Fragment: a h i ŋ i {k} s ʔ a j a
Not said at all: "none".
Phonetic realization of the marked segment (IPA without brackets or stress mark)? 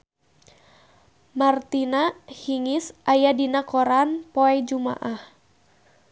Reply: none